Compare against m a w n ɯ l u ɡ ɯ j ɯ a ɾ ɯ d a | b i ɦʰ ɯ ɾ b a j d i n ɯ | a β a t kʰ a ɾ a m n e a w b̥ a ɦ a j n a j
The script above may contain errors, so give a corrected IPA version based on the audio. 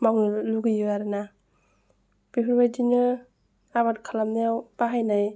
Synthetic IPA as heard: m a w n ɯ l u ɡ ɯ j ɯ a ɾ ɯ n a | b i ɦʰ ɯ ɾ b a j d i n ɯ | a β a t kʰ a l a m n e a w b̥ a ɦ a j n a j